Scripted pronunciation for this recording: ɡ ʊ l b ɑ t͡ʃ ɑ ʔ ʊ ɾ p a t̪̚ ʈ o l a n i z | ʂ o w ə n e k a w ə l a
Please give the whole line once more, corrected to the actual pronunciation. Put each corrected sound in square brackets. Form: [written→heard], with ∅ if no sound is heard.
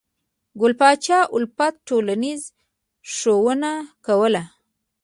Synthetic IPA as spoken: ɡ ʊ l [b→p] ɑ t͡ʃ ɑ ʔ ʊ [ɾ→l] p a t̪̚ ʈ o l a n i z | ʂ o w ə n [e→a] k a w ə l a